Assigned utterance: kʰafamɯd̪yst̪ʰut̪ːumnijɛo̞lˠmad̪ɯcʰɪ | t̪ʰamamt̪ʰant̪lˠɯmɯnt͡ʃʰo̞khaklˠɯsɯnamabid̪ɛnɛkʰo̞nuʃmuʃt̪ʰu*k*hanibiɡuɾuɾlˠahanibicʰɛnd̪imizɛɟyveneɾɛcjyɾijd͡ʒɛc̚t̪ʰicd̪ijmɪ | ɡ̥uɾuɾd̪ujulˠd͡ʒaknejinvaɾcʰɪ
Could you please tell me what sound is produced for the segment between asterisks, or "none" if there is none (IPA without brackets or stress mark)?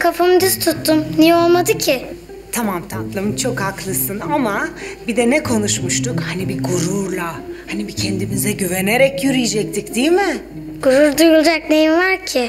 k